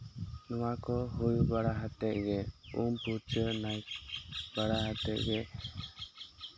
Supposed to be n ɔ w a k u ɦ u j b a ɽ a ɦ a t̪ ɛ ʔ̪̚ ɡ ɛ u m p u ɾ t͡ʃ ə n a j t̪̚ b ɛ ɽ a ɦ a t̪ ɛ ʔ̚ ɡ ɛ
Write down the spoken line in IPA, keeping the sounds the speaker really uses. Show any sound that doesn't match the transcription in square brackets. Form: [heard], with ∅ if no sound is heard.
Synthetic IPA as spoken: n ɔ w a k [ɔ] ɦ u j b a ɽ a ɦ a t̪ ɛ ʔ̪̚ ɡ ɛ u m p u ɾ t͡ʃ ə n a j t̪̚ b [a] ɽ a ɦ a t̪ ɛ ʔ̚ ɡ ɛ